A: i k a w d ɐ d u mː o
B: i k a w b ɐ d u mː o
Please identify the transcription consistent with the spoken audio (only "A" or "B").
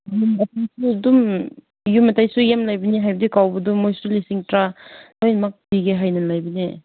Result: B